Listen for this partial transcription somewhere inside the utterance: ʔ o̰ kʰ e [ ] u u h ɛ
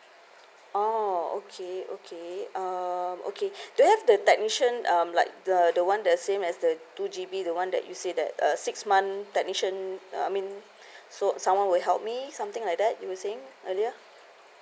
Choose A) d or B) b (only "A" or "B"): A